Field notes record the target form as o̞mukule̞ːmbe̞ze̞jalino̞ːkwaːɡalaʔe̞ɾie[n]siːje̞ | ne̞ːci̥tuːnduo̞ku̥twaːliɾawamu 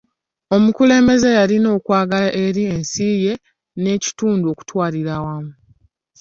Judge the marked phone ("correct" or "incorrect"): correct